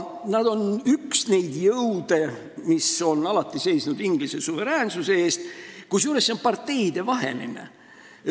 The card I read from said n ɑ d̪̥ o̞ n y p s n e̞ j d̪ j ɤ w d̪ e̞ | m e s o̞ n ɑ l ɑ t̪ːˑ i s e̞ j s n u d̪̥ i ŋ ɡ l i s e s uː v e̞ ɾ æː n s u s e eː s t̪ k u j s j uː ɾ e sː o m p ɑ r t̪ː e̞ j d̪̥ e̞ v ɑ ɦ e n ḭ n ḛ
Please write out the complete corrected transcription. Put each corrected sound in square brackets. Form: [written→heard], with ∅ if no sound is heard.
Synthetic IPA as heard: n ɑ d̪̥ o̞ n y [p→k] s n e̞ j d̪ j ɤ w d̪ e̞ | m [e→i] s o̞ n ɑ l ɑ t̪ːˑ i s e̞ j s n u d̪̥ i ŋ ɡ l i s e s [uː→u] v e̞ ɾ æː n s u s e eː s t̪ k u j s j uː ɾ e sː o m p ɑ r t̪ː e̞ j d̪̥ e̞ v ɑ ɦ e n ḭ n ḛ